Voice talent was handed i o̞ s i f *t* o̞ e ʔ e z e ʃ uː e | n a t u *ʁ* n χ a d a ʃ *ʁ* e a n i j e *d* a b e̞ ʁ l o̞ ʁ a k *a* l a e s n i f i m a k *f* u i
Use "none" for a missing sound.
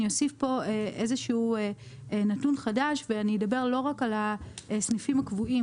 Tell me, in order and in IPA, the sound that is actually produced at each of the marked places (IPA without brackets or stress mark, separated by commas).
p, none, v, d, a, v